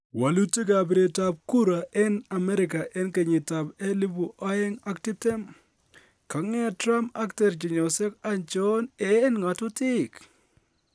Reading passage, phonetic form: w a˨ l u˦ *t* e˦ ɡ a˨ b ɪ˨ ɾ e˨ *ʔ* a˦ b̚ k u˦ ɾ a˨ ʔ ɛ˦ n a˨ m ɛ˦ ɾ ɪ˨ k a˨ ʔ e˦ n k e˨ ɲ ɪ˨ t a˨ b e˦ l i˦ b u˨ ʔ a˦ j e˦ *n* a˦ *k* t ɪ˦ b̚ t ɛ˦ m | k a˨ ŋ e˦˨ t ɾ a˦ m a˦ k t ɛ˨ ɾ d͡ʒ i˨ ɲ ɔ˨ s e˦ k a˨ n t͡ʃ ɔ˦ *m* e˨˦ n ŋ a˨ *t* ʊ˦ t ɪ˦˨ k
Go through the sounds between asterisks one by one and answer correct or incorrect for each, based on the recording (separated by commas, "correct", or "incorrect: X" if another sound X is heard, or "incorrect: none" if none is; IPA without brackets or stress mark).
correct, incorrect: t, incorrect: ŋ, correct, incorrect: n, correct